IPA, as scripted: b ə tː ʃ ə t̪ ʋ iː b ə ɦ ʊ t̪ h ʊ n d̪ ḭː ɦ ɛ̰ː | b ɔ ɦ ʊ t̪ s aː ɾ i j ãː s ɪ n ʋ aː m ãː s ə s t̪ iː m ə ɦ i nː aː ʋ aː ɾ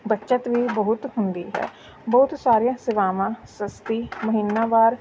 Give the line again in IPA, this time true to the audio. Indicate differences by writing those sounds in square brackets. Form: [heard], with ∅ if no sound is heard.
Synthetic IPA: b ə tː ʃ ə t̪ ʋ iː b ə ɦ ʊ t̪ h ʊ n d̪ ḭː ɦ ɛ̰ː | b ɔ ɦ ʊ t̪ s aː ɾ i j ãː s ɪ [∅] ʋ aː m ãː s ə s t̪ iː m ə ɦ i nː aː ʋ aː ɾ